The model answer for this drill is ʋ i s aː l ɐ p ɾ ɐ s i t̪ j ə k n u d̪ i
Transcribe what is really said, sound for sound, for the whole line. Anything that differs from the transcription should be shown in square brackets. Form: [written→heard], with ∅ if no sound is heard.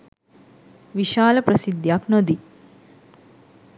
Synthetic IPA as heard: ʋ i [s→ʃ] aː l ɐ p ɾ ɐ s i [t̪→d̪] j [ə→a] k n [u→o] d̪ i